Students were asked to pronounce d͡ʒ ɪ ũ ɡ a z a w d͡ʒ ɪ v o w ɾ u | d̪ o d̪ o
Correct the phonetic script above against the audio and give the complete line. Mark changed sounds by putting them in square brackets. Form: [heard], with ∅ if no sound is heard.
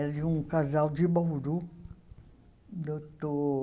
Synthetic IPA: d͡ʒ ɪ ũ [k] a z a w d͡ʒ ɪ [b] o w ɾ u | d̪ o [t̪] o